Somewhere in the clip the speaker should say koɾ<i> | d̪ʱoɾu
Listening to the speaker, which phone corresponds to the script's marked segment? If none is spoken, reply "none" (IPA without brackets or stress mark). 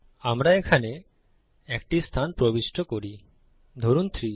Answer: i